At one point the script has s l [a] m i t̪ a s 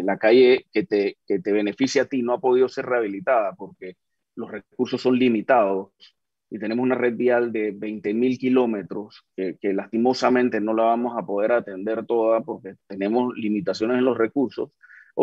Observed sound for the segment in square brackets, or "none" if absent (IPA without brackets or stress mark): i